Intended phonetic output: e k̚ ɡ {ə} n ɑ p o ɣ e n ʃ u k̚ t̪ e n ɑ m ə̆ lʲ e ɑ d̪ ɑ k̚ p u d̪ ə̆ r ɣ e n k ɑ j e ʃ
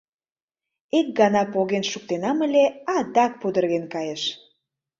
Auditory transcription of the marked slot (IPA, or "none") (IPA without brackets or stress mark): ɑ